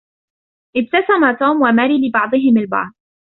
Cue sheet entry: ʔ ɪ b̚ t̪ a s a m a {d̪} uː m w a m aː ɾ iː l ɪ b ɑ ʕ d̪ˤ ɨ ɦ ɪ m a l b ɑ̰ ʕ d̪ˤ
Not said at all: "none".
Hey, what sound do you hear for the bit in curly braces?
t̪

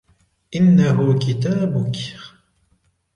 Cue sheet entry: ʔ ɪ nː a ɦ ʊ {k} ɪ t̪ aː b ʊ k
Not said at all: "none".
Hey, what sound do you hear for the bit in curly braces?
k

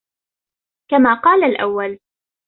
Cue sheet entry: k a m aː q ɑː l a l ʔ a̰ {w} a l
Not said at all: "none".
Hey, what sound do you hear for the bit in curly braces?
wː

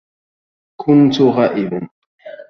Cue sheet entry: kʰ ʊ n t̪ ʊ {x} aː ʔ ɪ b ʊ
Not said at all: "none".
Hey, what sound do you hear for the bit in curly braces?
ɣ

